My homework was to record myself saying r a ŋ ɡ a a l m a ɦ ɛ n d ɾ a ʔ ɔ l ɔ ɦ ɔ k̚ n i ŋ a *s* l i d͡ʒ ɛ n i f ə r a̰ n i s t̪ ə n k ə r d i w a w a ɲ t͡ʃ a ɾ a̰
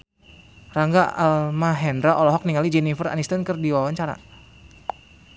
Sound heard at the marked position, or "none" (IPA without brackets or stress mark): none